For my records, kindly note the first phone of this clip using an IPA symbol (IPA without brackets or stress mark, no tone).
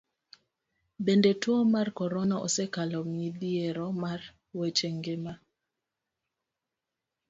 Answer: b